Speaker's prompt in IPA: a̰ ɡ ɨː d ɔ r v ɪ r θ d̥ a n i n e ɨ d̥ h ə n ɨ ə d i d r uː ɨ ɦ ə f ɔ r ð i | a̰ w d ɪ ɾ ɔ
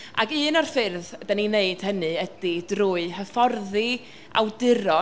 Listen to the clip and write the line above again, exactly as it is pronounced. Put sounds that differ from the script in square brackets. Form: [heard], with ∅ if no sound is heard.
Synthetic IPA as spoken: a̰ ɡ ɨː [n] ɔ r [f] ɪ r [ð] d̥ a n i n e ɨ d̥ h ə n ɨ ə d i d r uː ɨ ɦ ə f ɔ r ð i | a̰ w d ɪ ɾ ɔ